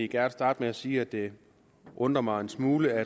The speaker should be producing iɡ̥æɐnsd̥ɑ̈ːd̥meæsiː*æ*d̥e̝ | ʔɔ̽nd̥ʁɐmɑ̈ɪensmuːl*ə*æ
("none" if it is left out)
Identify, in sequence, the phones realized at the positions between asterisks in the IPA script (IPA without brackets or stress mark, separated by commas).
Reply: æ, ə